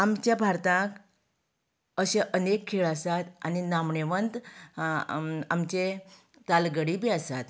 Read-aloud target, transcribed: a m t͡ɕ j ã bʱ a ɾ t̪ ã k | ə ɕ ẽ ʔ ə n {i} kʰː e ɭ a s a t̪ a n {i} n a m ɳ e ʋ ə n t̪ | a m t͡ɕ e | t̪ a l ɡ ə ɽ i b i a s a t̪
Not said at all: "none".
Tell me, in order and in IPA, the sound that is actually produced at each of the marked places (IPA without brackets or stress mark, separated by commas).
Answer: e, i